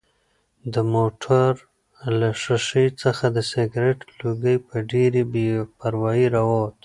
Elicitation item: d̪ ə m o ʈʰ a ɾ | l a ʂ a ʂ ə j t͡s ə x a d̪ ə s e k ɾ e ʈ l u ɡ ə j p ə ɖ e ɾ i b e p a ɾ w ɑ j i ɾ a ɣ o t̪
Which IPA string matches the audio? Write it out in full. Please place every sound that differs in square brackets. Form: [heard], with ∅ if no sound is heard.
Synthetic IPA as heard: d̪ ə m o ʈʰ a ɾ | l a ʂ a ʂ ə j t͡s ə x a d̪ ə s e [ɡ] ɾ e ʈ l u ɡ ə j p ə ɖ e ɾ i b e p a ɾ w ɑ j i ɾ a [w] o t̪